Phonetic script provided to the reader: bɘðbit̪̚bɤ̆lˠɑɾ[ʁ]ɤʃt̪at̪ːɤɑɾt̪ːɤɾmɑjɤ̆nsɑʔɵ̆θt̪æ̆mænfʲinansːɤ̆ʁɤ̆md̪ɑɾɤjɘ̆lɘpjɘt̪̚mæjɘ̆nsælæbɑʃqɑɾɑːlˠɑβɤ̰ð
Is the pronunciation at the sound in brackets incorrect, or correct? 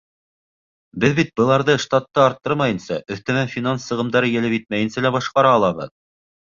incorrect: ð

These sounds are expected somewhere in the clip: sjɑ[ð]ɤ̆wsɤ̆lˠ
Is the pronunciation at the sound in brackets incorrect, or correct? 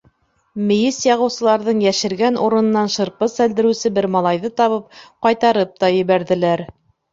incorrect: ʁ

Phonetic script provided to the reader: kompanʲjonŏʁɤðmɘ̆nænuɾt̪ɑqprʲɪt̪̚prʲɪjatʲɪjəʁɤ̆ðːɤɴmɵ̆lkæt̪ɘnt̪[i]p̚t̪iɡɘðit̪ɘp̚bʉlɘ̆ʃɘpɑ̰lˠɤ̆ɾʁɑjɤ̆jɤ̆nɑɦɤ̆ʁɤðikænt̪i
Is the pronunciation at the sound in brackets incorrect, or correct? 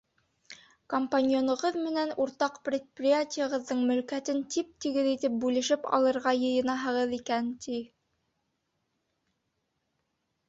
correct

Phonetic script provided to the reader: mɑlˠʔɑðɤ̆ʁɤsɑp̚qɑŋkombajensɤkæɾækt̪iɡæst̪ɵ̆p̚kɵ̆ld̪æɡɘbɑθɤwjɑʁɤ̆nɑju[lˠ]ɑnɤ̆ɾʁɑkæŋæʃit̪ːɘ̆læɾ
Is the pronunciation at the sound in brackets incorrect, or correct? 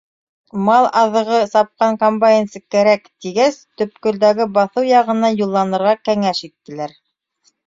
incorrect: lˠː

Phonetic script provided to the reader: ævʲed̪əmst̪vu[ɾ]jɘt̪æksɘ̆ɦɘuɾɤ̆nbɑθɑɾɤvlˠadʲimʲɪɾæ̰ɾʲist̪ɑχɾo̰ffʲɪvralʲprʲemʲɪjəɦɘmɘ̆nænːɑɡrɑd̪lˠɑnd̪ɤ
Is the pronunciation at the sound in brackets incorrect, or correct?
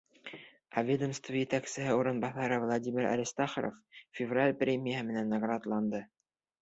incorrect: none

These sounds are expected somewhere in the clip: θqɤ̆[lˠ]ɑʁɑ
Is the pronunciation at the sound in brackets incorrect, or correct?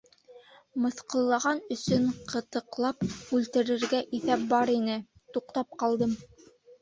incorrect: lˠː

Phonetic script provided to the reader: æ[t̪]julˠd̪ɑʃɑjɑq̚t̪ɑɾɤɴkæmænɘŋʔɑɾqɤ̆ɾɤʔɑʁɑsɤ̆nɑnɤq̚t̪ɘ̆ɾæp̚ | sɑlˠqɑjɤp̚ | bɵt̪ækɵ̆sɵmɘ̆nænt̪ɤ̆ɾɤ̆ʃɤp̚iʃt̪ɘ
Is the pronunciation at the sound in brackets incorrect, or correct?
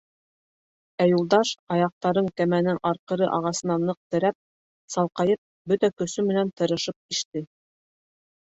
incorrect: none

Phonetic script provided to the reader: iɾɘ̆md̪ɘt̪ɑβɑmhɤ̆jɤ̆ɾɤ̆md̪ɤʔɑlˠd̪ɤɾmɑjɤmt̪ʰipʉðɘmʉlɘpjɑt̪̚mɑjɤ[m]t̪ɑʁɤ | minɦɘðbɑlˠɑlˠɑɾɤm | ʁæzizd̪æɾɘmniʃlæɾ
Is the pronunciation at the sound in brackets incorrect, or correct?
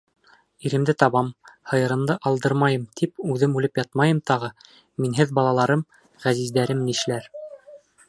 correct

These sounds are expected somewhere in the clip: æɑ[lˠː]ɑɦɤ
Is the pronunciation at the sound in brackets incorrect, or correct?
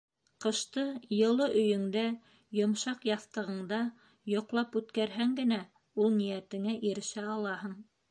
incorrect: lˠ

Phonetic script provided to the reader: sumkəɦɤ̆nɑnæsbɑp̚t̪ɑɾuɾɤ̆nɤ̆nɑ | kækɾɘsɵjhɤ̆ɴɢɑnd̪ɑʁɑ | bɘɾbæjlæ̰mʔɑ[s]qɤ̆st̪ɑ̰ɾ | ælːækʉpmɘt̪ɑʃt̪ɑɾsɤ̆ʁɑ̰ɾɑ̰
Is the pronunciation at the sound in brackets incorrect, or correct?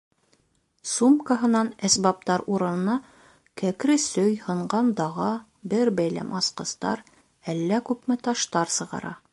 correct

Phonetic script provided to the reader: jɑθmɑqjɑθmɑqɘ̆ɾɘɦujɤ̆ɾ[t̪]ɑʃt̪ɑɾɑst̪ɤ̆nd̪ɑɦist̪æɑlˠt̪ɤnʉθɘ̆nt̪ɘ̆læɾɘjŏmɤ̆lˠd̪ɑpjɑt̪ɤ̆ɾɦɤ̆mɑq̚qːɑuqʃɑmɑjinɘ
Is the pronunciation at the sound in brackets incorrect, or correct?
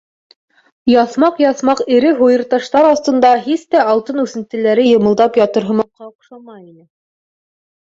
correct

